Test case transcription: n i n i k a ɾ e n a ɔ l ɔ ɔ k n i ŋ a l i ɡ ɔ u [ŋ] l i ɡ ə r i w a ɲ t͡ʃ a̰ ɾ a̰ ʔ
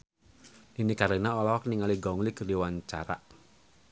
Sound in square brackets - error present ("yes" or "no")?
no